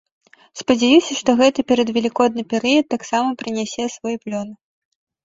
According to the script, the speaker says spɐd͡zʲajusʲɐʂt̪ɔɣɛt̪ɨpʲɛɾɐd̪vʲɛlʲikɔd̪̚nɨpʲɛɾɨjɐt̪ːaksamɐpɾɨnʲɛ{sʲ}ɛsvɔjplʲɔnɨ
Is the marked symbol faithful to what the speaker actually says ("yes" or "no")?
yes